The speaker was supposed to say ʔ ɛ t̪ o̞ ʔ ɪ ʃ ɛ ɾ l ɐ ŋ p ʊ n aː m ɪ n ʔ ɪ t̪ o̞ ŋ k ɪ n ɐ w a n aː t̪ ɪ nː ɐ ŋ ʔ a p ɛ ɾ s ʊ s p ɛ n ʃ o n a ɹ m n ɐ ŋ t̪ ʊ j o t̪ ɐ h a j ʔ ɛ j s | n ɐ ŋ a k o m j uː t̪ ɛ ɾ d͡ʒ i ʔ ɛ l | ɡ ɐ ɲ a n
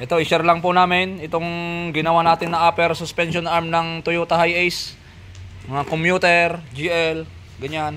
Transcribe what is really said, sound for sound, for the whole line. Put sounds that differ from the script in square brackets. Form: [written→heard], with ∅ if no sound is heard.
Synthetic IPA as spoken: ʔ ɛ t̪ o̞ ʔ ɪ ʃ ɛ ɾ l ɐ ŋ p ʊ n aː m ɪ n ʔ ɪ t̪ o̞ ŋ [k→ɡ] ɪ n ɐ w a n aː t̪ ɪ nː ɐ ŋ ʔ a p ɛ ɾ s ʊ s p ɛ n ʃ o n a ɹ m n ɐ ŋ t̪ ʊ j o t̪ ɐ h a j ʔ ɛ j s | [n→m] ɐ ŋ a k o m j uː t̪ ɛ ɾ d͡ʒ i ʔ ɛ l | ɡ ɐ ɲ a n

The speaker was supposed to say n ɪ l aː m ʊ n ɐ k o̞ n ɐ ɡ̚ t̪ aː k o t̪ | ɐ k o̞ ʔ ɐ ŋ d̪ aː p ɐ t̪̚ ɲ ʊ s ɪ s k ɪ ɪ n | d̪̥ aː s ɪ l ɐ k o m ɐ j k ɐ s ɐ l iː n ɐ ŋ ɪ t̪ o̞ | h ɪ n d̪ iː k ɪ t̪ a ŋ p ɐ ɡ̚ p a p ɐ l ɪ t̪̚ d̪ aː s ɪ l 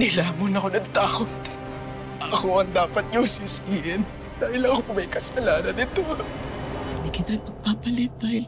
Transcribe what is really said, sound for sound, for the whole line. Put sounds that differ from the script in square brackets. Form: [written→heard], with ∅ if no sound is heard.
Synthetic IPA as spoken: n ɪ l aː m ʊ n ɐ k o̞ n ɐ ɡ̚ t̪ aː k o t̪ | ɐ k o̞ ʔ ɐ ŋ d̪ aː p ɐ t̪̚ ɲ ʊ s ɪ s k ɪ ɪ n | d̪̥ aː [s→h] ɪ l ɐ k o m ɐ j k ɐ s ɐ l [iː→aː] n ɐ [ŋ→n] ɪ t̪ o̞ | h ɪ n d̪ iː k ɪ t̪ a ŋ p ɐ ɡ̚ p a p ɐ l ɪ t̪̚ d̪ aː [s→h] ɪ l

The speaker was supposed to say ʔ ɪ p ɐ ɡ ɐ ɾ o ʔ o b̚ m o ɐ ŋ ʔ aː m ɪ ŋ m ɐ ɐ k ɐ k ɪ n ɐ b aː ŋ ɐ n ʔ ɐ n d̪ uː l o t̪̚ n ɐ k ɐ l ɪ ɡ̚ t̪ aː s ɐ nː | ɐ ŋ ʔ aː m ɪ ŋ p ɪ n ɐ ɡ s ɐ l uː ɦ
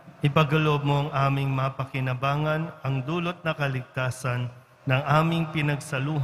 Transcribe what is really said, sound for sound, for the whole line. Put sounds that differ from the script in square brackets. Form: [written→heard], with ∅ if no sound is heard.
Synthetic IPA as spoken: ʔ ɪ p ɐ ɡ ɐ [ɾ→l] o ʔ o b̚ m o ɐ ŋ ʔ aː m ɪ ŋ m ɐ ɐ [k→p] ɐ k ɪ n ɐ b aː ŋ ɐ n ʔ ɐ [n→ŋ] d̪ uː l o t̪̚ n ɐ k ɐ l ɪ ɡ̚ t̪ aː s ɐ nː | ɐ ŋ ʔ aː m ɪ ŋ p ɪ n ɐ ɡ s ɐ l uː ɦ

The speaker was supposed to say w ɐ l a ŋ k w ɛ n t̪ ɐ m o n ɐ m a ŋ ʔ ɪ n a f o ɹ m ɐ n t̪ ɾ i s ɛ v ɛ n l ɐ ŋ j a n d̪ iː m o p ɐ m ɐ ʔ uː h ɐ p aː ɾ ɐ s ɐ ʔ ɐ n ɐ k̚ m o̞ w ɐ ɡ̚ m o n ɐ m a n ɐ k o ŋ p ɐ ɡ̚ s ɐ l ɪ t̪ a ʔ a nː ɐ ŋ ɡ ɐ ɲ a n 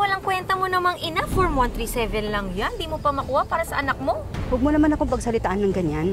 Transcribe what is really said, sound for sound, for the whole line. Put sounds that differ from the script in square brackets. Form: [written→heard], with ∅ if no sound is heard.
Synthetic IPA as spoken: w ɐ l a ŋ k w ɛ n t̪ ɐ m o n ɐ m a ŋ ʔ ɪ n a f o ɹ m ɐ n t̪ ɾ i s ɛ v ɛ n l ɐ ŋ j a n d̪ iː m o p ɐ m ɐ [ʔ→k] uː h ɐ p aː ɾ ɐ s ɐ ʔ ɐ n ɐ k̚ m o̞ w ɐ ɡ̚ m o n ɐ m a n ɐ k o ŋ p ɐ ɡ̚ s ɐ l ɪ t̪ a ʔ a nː ɐ ŋ ɡ ɐ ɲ a n

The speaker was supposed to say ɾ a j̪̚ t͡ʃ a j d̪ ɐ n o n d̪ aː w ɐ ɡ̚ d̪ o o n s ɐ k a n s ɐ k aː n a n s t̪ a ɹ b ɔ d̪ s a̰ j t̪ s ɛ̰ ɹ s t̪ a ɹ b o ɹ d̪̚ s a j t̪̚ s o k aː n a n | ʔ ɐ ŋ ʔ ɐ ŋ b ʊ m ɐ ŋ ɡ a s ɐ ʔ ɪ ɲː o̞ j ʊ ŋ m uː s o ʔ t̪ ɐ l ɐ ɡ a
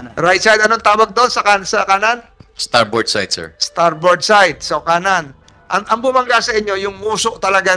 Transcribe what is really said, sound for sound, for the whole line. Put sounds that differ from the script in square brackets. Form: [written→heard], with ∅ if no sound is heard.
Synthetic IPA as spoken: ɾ a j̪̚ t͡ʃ a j d̪ ɐ n o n [d̪→t̪] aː w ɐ ɡ̚ d̪ o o n s ɐ k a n s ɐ k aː n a n s t̪ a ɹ b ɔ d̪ s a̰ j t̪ s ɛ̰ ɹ s t̪ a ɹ b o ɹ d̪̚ s a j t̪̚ s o k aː n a n | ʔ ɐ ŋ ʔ ɐ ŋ b ʊ m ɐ ŋ ɡ a s ɐ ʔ ɪ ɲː o̞ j ʊ ŋ m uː s o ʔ t̪ ɐ l ɐ ɡ a

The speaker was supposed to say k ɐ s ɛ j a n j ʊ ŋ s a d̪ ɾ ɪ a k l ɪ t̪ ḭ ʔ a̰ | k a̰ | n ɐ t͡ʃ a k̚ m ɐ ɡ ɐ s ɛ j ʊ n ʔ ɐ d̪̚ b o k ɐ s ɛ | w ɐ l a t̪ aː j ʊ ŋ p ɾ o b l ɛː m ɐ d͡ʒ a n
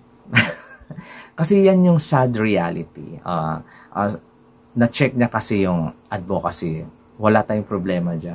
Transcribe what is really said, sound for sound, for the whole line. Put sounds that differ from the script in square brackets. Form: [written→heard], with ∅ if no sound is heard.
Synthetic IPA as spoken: k ɐ s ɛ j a n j ʊ ŋ s a d̪ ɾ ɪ a [k→∅] l ɪ t̪ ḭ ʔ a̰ | [k→ʔ] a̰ | n ɐ t͡ʃ [a→ɛ] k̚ [m→ɲ] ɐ [ɡ→k] ɐ s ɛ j ʊ [n→ŋ] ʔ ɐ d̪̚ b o k ɐ s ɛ | w ɐ l a t̪ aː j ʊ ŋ p ɾ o b l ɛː m ɐ d͡ʒ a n

